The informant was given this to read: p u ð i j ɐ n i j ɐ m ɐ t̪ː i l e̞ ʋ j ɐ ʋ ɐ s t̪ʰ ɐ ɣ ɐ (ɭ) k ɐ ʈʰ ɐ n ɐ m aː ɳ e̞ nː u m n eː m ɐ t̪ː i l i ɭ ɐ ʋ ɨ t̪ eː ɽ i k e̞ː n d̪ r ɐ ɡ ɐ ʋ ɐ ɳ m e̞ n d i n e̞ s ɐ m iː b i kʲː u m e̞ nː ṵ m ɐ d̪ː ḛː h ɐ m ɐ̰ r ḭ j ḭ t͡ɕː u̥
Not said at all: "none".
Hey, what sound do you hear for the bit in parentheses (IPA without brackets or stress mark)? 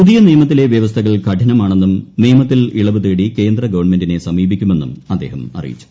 ɭ